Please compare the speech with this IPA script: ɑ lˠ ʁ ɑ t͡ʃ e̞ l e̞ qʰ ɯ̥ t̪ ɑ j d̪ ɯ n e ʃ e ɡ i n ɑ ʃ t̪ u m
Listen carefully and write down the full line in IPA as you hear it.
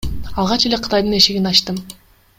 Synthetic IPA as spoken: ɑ lˠ ʁ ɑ t͡ʃ e̞ l e̞ qʰ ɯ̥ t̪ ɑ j d̪ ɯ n e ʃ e ɡ i n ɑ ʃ t̪ ɯ m